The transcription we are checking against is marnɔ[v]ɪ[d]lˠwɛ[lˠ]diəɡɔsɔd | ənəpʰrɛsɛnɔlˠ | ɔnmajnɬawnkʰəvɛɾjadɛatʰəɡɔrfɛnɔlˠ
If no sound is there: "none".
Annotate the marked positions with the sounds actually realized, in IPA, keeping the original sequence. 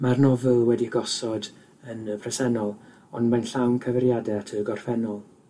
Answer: v, none, none

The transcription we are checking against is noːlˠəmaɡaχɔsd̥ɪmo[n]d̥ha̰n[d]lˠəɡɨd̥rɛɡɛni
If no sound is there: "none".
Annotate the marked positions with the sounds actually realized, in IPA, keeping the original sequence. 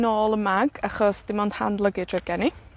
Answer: n, d

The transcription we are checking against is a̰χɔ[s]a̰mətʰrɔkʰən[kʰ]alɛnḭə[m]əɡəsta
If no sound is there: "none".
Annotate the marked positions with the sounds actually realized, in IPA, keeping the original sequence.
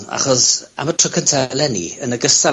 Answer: s, tʰ, n

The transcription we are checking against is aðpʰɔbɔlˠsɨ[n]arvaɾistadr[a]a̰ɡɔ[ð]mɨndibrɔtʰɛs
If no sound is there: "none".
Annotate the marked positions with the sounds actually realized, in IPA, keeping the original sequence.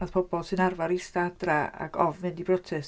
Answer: n, a, v

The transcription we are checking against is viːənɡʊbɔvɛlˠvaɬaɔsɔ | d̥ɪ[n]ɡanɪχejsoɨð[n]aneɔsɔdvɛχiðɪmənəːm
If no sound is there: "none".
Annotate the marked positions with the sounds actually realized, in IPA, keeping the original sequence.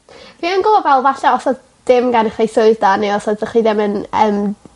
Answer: m, d

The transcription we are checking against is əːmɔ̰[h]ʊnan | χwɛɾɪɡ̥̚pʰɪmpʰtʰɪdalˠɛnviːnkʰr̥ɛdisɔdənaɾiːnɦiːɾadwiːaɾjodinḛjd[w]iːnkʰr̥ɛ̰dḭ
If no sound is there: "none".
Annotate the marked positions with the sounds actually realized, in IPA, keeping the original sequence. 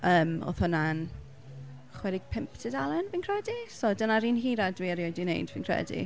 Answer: θ, v

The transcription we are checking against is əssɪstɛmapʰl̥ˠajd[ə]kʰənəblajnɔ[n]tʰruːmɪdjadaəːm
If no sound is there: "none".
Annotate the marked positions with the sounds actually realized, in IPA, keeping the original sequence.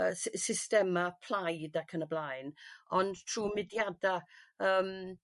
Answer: a, n

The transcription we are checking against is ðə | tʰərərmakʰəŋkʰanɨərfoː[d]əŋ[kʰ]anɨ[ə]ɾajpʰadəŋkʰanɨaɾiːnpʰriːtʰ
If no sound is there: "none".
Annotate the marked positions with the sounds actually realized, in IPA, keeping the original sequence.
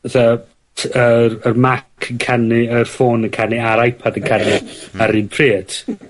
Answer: n, kʰ, a

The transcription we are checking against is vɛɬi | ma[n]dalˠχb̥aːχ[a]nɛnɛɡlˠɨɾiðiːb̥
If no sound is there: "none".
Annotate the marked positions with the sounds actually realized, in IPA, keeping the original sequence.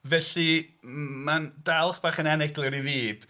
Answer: n, ə

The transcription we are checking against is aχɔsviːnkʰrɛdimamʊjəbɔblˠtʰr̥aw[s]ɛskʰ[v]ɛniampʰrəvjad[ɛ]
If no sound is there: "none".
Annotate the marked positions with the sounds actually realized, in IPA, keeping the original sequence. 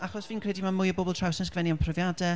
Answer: s, v, ɛ

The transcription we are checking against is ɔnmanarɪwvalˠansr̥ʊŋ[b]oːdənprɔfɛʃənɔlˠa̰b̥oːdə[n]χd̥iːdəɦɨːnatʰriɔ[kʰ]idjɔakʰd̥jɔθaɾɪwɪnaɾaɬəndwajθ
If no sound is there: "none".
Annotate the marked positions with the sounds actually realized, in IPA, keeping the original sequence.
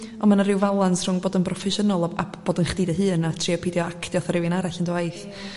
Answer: b, n, pʰ

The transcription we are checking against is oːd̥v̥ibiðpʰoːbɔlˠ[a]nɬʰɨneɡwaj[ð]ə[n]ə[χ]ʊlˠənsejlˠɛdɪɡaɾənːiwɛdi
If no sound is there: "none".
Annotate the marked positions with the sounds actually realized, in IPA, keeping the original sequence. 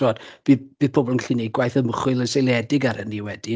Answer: ə, θ, m, χ

